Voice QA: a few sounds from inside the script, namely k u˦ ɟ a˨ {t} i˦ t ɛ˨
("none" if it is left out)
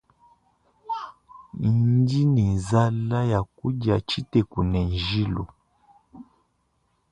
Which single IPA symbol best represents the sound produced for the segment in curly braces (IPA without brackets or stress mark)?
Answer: t͡ʃ